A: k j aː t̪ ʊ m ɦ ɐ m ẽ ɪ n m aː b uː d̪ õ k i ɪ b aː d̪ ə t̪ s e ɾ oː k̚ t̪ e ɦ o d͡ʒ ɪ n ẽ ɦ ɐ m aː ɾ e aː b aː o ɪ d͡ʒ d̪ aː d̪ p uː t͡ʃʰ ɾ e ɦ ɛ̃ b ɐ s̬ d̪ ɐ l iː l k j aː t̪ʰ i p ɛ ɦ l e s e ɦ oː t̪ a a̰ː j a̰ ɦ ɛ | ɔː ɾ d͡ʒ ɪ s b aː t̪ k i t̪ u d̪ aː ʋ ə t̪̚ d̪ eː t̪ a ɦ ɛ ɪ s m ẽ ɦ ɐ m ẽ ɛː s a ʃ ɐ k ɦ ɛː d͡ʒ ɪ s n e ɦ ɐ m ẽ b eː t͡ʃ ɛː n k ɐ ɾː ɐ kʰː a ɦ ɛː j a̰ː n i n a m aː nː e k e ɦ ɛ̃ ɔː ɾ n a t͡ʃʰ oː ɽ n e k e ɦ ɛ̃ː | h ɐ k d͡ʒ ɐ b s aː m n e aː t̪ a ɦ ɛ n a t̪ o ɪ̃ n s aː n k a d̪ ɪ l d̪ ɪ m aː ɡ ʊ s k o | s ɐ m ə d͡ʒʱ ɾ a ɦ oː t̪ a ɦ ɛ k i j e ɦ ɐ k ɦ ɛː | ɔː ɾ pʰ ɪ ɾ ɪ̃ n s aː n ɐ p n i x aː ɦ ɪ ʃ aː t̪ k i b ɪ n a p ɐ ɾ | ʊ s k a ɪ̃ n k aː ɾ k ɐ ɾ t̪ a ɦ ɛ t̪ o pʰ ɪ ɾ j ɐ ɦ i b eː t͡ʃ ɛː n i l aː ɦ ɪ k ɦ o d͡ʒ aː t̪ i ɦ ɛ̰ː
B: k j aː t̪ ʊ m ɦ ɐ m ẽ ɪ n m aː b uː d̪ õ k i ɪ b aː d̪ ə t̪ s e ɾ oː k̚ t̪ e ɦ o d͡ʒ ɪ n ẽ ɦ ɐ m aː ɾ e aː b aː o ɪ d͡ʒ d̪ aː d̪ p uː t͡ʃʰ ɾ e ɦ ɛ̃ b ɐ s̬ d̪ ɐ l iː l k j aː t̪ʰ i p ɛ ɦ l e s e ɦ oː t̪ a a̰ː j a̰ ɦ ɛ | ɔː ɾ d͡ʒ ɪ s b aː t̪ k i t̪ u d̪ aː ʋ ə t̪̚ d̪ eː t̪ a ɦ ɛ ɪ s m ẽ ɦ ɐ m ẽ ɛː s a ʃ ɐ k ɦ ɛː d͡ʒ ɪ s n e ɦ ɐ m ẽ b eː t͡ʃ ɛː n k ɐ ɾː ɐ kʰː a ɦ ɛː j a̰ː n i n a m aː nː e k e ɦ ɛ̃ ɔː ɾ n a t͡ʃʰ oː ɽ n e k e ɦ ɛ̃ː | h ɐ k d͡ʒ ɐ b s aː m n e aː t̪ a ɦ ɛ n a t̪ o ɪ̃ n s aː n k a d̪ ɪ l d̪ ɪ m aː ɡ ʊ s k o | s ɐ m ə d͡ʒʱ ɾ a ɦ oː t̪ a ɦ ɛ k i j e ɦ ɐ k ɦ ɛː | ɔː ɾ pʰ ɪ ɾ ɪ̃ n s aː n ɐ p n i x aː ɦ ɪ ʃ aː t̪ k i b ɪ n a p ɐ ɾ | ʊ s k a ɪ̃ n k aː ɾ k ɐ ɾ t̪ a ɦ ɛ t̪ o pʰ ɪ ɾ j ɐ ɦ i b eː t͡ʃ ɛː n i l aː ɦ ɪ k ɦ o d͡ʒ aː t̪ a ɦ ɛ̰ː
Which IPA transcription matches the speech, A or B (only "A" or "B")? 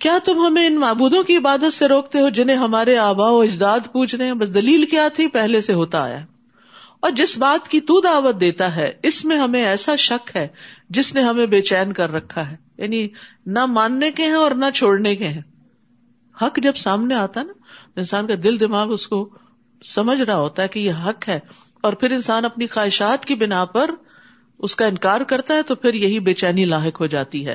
A